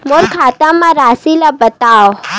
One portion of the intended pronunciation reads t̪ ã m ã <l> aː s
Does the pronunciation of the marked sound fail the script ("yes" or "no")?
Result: yes